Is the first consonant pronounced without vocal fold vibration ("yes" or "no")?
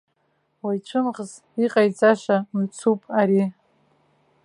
no